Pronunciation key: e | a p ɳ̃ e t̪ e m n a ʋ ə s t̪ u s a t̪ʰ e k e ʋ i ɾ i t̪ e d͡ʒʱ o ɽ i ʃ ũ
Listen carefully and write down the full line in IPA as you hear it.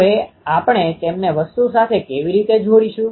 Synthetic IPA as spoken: e | a p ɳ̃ e t̪ e m n e ʋ ə s t̪ u s a t̪ʰ e k e ʋ i ɾ i t̪ e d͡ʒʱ o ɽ i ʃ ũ